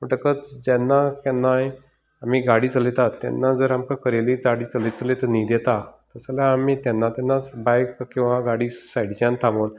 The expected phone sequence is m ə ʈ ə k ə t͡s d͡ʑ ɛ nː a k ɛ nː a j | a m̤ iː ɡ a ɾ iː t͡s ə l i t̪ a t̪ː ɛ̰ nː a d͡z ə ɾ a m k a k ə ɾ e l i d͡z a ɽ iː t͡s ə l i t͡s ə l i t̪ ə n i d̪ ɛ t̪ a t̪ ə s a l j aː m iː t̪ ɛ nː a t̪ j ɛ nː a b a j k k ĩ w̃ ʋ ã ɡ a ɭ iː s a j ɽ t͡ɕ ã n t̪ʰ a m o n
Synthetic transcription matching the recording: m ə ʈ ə k ə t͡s d͡ʑ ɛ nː a k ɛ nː a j | a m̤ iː ɡ a ɽ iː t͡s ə l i t̪ a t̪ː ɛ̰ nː a d͡z ə ɾ a m k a k ə ɾ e l i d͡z a ɽ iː t͡s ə l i t͡s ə l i t̪ ə n i d̪ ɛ t̪ a t̪ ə s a l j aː m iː t̪ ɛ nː a t̪ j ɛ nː a b a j k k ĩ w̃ ʋ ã ɡ a ɽ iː s a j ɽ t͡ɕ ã n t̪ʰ a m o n

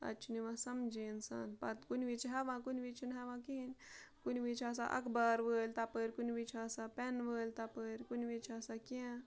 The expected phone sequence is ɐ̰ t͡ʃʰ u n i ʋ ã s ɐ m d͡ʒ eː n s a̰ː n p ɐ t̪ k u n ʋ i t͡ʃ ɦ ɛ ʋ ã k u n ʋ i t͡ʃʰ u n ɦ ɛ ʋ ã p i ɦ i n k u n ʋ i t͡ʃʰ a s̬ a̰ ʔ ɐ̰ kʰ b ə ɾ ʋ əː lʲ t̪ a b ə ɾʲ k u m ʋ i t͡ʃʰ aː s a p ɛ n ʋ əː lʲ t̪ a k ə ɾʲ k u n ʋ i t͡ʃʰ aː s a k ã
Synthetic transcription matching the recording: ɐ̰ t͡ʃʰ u n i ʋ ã s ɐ m d͡ʒ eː n s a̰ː n p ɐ t̪ k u n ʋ i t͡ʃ ɦ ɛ ʋ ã k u n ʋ i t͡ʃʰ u n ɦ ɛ ʋ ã k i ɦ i n k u n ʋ i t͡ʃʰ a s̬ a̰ ʔ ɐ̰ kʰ b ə ɾ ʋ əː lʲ t̪ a p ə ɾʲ k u n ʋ i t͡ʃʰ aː s a p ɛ n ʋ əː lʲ t̪ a p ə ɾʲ k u n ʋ i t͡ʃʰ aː s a k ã

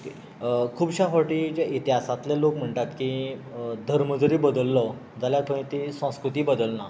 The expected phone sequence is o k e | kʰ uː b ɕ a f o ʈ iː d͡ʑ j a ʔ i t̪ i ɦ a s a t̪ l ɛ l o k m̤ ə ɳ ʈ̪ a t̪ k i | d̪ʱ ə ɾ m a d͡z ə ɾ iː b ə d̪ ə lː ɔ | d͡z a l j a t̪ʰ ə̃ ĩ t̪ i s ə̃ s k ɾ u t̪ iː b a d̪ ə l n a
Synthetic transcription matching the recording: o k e | kʰ uː b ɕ a f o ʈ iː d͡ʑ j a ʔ i t̪ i ɦ a s a t̪ l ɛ l o k m̤ ə ɳ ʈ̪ a t̪ k i | d̪ʱ ə ɾ m ə d͡z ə ɾ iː b ə d̪ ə lː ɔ | d͡z a l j a t̪ʰ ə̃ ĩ t̪ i s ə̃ s k ɾ u t̪ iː b ə d̪ ə l n a

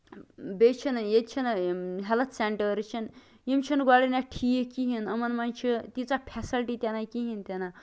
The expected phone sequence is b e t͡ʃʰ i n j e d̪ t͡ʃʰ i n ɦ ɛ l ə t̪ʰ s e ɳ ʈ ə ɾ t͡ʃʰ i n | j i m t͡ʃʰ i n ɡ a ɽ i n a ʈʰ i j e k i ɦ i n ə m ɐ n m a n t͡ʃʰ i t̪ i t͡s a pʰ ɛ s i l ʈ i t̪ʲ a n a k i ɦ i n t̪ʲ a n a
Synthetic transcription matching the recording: b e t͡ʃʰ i n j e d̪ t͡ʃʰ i n ɦ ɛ l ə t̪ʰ s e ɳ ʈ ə ɾ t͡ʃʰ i n | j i m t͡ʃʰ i n ɡ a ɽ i n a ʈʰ i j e k i ɦ i n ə m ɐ n m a n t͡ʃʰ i t̪ i t͡s a pʰ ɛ s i l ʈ i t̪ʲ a n a k i ɦ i n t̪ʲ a n a

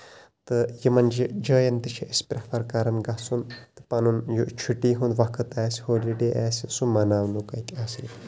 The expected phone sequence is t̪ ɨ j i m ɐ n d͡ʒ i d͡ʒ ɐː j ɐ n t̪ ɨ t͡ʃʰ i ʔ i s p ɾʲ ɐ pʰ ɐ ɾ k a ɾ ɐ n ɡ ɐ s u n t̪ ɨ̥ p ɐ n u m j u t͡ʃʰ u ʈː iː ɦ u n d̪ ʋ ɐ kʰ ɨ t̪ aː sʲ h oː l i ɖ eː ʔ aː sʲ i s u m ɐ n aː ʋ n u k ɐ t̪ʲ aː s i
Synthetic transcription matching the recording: t̪ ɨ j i m ɐ n d͡ʒ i d͡ʒ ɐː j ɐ n t̪ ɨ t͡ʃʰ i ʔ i s p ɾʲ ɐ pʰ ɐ ɾ k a ɾ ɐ n ɡ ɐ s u n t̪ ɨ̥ p ɐ n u n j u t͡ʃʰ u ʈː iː ɦ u n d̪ ʋ ɐ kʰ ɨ t̪ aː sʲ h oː l i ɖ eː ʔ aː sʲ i s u m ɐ n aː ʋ n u k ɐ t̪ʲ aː s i

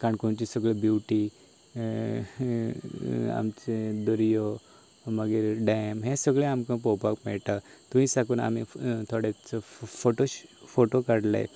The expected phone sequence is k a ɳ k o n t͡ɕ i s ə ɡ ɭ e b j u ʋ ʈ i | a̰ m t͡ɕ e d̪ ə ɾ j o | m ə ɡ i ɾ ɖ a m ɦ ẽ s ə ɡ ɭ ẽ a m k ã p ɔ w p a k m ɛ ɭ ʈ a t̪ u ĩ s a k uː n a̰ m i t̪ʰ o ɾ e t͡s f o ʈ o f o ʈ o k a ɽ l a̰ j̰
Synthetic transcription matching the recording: k a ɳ k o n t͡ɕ i s ə ɡ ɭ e b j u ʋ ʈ i | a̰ m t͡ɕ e d̪ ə ɾ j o | m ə ɡ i ɾ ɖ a m ɦ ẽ s ə ɡ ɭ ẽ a m k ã p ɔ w p a k m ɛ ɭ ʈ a t̪ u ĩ s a k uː n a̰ m i t̪ʰ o ɽ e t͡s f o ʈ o f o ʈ o k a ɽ l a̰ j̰

